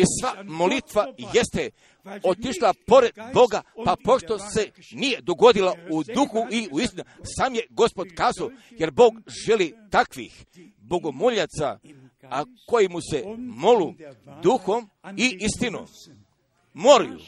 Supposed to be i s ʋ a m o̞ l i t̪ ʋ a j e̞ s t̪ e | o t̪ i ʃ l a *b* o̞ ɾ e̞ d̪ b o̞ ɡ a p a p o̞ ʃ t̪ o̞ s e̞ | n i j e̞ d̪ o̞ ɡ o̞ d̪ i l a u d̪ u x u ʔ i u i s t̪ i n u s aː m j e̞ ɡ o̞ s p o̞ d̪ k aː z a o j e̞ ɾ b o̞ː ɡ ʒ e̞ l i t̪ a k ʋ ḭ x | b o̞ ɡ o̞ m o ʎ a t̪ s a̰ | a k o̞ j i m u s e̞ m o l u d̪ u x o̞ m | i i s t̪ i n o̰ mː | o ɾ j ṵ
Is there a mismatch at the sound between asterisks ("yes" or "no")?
yes